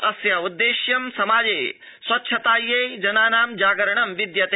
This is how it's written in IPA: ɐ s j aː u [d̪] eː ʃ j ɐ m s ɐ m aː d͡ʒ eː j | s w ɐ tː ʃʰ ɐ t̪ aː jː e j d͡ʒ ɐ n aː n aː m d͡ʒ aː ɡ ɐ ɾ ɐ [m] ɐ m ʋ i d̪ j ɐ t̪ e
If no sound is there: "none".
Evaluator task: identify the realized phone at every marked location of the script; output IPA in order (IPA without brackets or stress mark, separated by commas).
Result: d̪ː, ɳ